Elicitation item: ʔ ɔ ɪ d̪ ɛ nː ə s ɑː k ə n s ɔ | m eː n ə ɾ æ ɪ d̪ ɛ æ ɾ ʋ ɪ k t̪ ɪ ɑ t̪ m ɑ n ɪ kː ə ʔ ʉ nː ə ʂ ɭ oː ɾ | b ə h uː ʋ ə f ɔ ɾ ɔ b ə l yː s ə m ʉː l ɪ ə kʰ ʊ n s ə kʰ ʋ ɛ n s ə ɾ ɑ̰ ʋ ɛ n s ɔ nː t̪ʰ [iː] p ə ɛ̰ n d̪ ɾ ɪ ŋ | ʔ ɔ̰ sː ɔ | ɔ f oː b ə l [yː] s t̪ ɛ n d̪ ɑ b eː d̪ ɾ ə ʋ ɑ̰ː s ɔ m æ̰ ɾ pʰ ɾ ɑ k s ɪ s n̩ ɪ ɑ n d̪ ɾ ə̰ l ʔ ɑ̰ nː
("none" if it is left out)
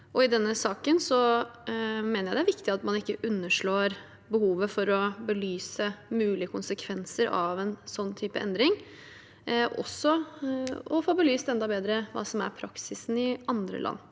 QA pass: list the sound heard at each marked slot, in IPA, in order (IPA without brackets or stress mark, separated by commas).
yː, yː